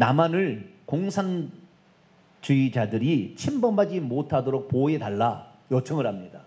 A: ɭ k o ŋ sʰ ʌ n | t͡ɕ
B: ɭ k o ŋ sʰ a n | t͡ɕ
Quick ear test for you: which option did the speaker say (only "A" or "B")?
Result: B